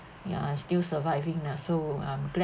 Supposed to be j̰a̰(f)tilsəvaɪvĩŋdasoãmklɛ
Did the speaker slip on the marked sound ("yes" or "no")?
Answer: yes